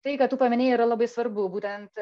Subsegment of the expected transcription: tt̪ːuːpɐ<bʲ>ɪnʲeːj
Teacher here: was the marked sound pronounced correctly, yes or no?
no